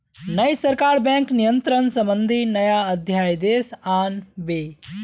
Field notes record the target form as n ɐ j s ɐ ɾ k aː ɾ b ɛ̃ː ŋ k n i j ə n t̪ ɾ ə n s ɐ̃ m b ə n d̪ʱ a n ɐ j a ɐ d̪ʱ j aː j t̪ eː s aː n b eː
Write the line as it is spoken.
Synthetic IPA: n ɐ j s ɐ ɾ k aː ɾ b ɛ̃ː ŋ k n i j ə n t̪ ɾ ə n s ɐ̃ m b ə n d̪ʱ i n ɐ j a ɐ d̪ʱ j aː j d̪ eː s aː n b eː